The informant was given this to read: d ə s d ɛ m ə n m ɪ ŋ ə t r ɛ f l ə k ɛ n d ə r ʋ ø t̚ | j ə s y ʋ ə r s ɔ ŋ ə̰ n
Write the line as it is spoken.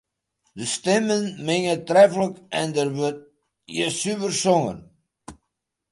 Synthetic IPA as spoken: d ə s t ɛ m ə n m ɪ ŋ ə t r ɛ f l ə k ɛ n d ə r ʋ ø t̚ | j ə s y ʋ ə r s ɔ ŋ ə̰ n